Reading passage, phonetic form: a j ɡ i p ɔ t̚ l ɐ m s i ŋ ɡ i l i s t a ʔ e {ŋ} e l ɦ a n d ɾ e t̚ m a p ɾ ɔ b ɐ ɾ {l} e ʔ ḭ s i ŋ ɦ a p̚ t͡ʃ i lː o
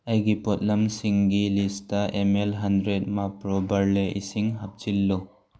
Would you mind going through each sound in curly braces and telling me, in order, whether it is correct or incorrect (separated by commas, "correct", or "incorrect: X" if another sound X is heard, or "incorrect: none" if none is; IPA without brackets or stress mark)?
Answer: incorrect: m, correct